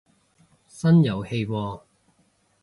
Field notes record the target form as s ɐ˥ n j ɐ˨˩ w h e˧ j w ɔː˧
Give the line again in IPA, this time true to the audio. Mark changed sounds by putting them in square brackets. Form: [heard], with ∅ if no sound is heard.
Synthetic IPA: s ɐ˥ n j ɐ˨˩ w h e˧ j w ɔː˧